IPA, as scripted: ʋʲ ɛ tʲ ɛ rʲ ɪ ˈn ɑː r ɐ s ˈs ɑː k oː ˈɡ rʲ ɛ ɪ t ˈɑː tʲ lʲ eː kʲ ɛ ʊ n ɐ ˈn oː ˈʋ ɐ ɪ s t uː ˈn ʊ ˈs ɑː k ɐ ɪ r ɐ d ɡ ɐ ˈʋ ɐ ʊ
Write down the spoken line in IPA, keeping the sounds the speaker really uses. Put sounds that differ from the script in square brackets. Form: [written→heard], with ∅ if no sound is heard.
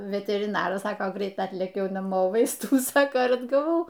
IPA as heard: ʋʲ ɛ tʲ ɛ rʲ ɪ ˈn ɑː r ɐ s ˈs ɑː k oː ˈɡ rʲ ɛ ɪ t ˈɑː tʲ lʲ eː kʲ ɛ ʊ n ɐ [ˈn→ˈm] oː ˈʋ ɐ ɪ s t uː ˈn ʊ ˈs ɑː k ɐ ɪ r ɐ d ɡ ɐ ˈʋ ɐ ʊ